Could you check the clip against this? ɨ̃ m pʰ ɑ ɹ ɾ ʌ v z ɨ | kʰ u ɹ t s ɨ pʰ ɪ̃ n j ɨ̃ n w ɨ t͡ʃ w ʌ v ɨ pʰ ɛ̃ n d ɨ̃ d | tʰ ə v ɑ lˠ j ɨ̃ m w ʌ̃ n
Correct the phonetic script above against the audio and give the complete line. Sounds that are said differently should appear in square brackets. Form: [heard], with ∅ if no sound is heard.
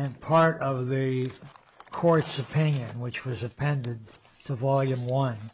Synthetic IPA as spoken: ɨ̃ [n] pʰ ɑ ɹ ɾ ʌ v [ð] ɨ | kʰ [ɔ] ɹ t s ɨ pʰ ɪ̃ n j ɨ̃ n w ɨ t͡ʃ w ʌ [z] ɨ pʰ ɛ̃ n d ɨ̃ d | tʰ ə v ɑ lˠ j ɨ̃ m w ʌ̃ n